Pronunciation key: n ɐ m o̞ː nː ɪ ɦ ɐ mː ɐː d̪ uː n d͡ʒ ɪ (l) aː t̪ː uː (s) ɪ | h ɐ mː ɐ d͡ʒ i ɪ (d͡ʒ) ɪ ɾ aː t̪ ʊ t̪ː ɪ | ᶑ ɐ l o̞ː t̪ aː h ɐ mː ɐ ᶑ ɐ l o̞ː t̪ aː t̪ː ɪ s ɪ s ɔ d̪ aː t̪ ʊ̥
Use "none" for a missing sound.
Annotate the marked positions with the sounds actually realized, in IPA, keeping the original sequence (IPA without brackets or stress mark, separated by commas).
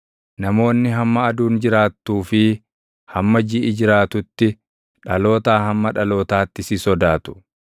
ɾ, f, d͡ʒ